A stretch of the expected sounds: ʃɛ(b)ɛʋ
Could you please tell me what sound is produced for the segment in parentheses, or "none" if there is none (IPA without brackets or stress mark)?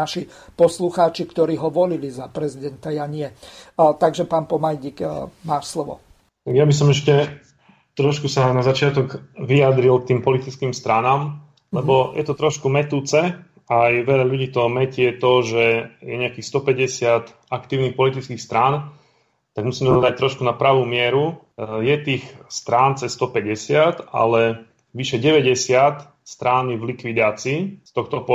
ɟ